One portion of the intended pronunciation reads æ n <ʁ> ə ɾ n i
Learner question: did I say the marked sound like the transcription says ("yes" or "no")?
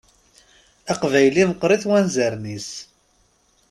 no